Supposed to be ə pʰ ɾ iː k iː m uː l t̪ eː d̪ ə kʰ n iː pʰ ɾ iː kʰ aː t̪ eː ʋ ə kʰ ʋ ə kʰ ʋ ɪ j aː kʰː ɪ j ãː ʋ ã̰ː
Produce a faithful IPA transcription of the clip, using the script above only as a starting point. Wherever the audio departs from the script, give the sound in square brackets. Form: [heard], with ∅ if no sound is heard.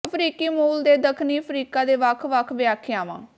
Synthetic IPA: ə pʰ ɾ iː k iː m uː l [d̪] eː d̪ ə kʰ n iː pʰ ɾ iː [k] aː [d̪] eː ʋ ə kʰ ʋ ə kʰ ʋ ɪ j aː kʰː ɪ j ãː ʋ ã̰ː